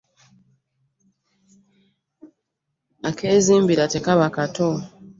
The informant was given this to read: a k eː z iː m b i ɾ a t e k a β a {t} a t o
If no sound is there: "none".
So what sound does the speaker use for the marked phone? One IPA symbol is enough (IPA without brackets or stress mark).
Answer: k